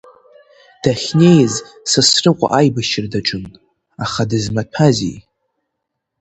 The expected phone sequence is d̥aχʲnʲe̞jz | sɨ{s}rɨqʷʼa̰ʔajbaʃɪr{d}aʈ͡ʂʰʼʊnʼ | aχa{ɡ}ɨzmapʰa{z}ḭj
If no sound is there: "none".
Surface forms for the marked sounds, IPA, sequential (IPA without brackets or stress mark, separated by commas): s, d, d, z